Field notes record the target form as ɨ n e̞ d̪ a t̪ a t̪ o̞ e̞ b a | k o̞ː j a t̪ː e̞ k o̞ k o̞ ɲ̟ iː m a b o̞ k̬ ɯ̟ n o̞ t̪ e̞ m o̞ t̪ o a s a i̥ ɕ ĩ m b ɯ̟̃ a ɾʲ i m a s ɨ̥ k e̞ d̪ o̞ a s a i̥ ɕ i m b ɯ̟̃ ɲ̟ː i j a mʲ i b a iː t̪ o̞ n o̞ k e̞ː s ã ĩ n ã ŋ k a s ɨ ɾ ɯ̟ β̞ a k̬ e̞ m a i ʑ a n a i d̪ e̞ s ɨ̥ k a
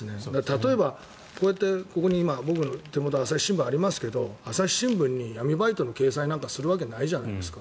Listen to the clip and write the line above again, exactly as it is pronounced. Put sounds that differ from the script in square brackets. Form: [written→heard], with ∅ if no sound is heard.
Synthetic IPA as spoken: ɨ n e̞ d̪ a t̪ a t̪ o̞ e̞ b a | k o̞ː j a t̪ː e̞ k o̞ k o̞ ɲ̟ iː m a b o̞ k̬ ɯ̟ n o̞ t̪ e̞ m o̞ t̪ o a s a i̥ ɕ ĩ m b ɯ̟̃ a ɾʲ i m a s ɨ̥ k e̞ d̪ o̞ a s a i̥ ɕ [i→ĩ] m b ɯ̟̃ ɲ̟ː i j a mʲ i b a [iː→i] t̪ o̞ n o̞ k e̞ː s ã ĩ n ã ŋ k a s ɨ ɾ ɯ̟ β̞ a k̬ e̞ [m→n] a i ʑ a n a i d̪ e̞ s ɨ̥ k a